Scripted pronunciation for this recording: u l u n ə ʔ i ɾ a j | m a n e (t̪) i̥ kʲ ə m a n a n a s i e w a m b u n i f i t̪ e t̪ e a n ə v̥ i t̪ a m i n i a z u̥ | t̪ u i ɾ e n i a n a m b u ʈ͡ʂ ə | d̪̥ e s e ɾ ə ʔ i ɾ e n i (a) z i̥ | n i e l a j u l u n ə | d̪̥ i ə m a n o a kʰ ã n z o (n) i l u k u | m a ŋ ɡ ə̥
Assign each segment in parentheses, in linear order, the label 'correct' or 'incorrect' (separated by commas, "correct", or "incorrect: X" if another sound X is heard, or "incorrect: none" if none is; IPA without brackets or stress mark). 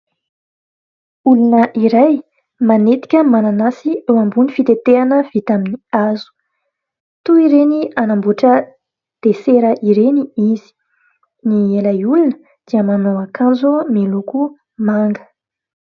correct, incorrect: i, incorrect: m